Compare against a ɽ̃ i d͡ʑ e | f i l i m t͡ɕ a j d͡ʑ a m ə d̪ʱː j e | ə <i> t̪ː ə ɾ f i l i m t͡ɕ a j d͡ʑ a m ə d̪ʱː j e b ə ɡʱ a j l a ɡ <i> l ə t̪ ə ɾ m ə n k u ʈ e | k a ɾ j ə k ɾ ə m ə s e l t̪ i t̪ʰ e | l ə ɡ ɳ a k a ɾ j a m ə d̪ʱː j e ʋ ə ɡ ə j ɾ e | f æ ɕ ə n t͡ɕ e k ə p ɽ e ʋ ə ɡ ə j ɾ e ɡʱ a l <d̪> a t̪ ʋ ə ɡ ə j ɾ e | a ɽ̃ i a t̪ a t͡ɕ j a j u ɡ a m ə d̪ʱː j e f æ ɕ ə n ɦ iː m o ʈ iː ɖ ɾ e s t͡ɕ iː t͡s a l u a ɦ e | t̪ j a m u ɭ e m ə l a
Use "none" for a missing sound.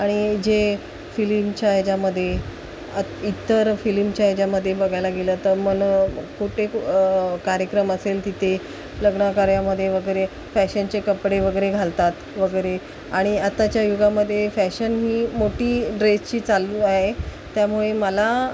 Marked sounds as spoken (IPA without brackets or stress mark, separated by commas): i, e, t̪